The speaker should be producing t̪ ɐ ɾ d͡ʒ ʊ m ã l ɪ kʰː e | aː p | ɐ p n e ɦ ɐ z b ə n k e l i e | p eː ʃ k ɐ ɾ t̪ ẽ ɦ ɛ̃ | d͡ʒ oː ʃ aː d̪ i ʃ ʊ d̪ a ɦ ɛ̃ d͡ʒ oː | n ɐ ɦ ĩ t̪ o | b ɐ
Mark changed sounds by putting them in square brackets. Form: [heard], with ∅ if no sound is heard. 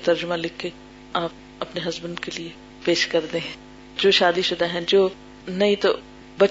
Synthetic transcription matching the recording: t̪ ɐ ɾ d͡ʒ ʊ m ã l ɪ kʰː e | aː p | ɐ p n e ɦ ɐ z b ə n k e l i e | p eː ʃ k ɐ ɾ [d̪] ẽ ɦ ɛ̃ | d͡ʒ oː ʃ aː d̪ i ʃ ʊ d̪ a ɦ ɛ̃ d͡ʒ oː | n ɐ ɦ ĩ t̪ o | b ɐ